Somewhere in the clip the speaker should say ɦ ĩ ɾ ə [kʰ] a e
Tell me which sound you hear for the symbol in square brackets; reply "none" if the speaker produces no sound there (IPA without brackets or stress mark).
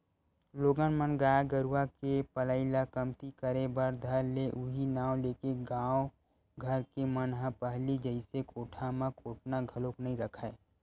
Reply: kʰ